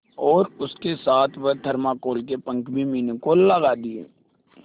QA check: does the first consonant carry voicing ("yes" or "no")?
yes